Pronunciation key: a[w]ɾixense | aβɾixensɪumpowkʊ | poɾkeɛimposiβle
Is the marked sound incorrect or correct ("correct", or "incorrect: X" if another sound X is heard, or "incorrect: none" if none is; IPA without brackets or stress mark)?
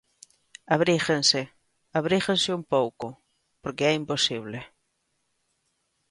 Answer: incorrect: β